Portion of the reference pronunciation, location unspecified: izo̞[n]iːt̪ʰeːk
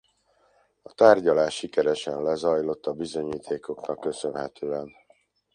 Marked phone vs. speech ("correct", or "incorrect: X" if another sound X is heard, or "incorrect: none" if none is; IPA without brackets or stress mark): incorrect: ɲ